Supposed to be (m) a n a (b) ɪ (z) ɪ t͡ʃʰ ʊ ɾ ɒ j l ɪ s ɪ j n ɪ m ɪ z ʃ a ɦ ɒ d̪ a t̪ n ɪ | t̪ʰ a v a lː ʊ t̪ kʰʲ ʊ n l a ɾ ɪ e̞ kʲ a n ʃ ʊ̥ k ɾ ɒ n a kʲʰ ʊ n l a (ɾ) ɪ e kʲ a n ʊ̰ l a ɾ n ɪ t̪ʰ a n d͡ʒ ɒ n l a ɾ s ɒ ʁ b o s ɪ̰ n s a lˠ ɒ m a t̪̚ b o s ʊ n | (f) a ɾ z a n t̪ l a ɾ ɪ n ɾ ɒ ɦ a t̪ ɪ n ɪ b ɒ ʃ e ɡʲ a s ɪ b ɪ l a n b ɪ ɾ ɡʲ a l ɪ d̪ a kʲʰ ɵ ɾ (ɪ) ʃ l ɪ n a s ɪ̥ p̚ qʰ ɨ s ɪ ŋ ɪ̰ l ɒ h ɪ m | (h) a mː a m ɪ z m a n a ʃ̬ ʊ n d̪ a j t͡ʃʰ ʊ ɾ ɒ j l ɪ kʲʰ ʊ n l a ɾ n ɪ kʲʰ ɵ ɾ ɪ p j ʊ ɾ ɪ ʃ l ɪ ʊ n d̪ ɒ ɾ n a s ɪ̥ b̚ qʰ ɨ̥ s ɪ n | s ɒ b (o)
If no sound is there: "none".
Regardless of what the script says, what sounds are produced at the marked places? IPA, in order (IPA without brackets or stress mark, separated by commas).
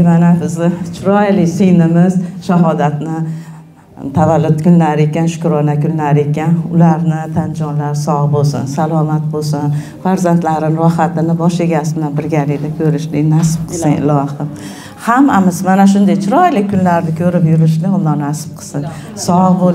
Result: m, b, z, ɾ, f, ɪ, h, o